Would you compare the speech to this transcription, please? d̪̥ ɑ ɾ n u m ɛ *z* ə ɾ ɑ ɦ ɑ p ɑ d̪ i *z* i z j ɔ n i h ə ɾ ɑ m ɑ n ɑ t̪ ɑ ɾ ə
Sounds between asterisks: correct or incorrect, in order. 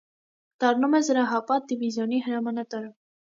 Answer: correct, incorrect

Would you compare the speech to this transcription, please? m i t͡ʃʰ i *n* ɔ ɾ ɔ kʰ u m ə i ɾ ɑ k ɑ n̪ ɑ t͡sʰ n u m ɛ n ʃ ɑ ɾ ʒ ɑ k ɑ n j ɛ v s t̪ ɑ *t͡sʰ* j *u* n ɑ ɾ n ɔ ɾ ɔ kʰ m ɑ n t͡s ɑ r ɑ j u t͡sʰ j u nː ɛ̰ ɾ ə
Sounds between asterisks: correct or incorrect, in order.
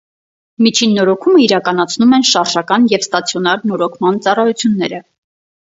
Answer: incorrect, correct, incorrect

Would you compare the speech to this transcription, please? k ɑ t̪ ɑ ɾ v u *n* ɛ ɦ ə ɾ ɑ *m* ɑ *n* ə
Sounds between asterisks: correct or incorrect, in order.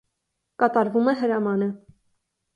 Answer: incorrect, correct, correct

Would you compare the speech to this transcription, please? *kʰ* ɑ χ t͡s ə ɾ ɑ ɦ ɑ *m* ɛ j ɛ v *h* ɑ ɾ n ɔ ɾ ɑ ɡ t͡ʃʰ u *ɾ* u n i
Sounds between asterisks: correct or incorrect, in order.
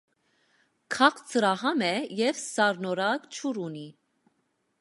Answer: correct, correct, incorrect, correct

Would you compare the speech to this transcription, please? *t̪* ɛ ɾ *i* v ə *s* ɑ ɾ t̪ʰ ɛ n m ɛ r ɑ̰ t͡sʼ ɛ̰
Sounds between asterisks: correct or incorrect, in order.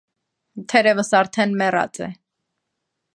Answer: incorrect, incorrect, correct

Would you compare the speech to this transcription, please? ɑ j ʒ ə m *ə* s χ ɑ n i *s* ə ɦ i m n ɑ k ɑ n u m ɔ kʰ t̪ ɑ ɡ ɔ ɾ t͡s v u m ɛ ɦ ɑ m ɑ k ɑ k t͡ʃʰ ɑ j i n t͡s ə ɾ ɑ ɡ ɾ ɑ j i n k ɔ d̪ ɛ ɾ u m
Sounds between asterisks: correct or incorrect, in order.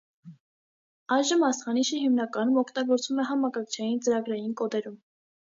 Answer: incorrect, incorrect

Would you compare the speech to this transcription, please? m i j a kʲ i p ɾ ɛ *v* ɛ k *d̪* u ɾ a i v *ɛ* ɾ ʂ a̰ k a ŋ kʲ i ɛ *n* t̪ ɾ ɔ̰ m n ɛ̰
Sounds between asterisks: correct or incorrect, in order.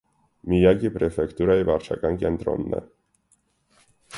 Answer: incorrect, incorrect, incorrect, correct

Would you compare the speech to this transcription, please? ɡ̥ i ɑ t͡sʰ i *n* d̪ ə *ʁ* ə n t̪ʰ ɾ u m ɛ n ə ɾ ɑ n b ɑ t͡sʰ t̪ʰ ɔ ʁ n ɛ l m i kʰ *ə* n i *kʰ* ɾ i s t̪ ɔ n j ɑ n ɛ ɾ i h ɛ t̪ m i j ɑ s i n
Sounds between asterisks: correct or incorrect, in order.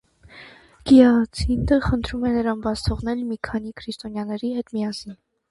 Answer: correct, incorrect, incorrect, correct

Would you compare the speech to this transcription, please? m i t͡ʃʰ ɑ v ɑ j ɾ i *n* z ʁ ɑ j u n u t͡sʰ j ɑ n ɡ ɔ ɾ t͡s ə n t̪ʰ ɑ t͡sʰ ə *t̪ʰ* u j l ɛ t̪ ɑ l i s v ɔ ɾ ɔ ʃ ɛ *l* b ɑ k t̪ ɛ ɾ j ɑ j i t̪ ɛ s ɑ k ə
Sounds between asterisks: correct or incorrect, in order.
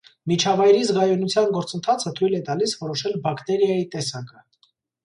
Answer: incorrect, correct, correct

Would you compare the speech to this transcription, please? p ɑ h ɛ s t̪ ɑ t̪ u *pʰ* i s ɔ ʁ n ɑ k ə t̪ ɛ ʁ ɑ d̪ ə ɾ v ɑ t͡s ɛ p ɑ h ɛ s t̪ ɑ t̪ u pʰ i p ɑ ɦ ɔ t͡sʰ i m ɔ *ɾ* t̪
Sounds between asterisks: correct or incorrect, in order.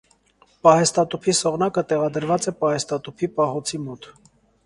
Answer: correct, incorrect

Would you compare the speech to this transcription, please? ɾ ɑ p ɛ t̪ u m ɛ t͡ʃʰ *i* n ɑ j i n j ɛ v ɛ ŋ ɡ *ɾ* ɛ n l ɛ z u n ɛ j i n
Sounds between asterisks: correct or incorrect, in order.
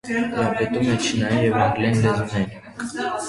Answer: correct, incorrect

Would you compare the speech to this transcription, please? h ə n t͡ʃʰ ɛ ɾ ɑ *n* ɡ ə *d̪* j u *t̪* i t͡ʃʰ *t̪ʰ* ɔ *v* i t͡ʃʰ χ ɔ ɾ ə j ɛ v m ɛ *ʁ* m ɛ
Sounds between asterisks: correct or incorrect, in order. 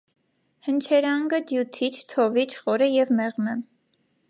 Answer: incorrect, correct, incorrect, correct, correct, correct

